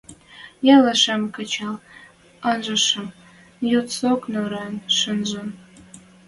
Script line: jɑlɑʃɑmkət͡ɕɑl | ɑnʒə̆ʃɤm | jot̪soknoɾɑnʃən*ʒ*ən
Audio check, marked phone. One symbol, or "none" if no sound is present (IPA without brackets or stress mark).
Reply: ʒ